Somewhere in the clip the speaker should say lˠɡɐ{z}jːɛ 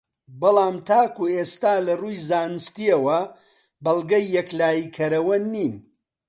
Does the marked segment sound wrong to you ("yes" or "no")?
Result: yes